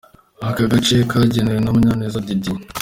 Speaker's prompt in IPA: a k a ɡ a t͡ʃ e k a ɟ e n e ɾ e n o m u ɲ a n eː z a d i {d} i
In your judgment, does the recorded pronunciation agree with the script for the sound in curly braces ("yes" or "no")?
yes